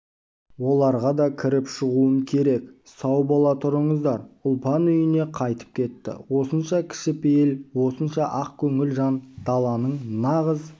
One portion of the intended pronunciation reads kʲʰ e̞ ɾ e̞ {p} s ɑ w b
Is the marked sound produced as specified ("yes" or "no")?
no